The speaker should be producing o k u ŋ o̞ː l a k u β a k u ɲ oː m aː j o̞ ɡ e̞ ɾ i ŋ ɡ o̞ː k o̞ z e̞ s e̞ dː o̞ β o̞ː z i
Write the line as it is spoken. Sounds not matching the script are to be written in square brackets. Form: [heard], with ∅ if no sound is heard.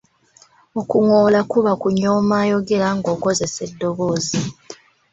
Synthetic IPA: o k u ŋ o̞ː l a k u β a k u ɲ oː m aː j o̞ ɡ e̞ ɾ [a] ŋ ɡ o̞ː k o̞ z e̞ s e̞ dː o̞ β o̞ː z i